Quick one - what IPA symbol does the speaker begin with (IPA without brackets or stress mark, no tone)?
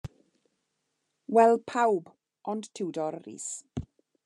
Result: w